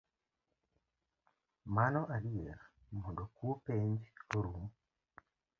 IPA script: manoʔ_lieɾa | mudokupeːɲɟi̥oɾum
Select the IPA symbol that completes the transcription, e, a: a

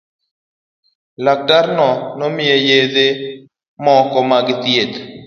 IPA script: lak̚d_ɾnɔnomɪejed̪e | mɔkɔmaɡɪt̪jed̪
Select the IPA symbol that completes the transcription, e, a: a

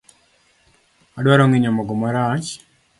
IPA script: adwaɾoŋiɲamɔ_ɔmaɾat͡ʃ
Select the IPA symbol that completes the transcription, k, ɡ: ɡ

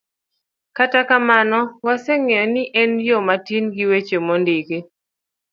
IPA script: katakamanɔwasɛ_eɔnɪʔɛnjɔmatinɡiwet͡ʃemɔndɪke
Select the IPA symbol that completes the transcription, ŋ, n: ŋ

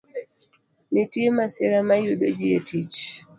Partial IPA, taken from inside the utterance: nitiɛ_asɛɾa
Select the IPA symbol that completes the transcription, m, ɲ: m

